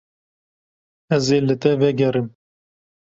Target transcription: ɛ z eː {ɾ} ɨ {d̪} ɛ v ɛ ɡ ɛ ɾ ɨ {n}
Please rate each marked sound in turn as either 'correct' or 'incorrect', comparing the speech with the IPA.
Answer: incorrect: l, incorrect: t̪, incorrect: m

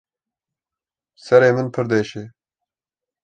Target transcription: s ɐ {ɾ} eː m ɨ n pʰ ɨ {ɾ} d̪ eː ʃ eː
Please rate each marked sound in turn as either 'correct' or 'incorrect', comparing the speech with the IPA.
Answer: correct, correct

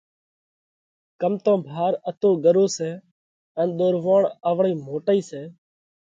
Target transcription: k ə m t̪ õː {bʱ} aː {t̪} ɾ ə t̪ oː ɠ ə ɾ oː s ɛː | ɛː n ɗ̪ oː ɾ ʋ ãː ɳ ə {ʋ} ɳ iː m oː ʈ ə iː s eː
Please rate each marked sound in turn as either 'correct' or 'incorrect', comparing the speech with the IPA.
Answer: correct, incorrect: none, correct

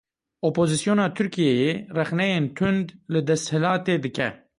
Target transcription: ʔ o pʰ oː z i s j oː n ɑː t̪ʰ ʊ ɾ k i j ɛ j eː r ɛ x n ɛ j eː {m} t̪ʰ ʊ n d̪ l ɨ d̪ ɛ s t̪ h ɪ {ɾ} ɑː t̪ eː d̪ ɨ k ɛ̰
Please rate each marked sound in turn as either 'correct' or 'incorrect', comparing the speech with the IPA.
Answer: incorrect: n, incorrect: l

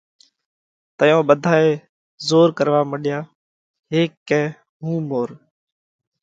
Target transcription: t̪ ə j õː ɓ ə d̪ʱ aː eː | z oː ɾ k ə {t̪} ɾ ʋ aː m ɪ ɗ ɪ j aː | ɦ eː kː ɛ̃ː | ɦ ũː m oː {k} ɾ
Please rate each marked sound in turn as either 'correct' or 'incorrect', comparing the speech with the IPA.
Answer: incorrect: none, incorrect: none

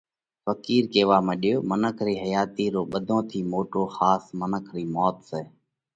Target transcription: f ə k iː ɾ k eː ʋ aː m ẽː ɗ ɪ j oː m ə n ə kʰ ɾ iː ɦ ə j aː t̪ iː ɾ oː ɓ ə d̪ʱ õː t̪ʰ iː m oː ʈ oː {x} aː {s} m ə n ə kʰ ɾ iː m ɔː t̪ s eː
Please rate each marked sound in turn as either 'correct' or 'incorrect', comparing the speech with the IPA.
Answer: correct, correct

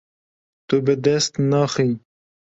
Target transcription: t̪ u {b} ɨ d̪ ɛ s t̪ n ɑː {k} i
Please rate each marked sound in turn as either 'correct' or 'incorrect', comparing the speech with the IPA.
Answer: correct, incorrect: x

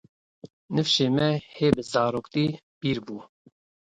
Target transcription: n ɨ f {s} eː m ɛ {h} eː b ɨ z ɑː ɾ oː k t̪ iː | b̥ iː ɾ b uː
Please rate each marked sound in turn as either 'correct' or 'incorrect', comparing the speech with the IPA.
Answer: incorrect: ʃ, correct

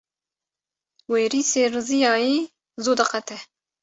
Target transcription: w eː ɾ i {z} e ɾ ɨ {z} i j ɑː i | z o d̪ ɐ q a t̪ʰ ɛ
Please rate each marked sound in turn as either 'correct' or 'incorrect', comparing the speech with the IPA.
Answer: incorrect: s, correct

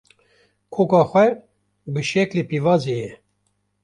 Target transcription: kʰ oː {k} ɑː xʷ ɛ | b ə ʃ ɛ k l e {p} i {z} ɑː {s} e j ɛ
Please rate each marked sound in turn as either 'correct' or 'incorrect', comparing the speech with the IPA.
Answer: correct, correct, incorrect: v, incorrect: z

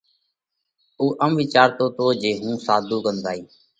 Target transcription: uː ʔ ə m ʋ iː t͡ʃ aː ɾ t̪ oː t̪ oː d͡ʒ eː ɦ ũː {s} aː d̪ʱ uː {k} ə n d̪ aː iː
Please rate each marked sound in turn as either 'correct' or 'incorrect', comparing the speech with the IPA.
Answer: correct, correct

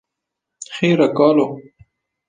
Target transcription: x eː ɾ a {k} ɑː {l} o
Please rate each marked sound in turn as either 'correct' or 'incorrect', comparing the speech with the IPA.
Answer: correct, correct

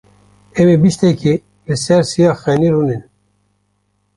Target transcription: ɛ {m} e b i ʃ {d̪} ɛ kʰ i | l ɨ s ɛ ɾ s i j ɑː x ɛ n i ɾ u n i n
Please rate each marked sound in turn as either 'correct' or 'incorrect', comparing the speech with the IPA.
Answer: correct, incorrect: t̪

